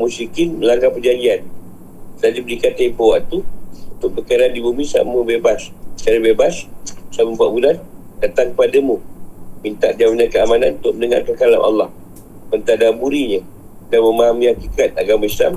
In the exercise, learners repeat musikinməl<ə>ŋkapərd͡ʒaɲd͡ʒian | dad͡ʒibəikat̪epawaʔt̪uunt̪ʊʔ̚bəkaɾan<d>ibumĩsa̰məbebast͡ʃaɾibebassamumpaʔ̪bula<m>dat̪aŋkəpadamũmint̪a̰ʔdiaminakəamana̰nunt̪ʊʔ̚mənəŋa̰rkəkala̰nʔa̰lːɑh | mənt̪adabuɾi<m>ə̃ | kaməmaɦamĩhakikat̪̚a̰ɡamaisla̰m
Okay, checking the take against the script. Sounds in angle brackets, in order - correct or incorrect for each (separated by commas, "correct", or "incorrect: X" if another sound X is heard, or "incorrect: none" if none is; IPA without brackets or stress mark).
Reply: incorrect: a, correct, incorrect: n, incorrect: ɲ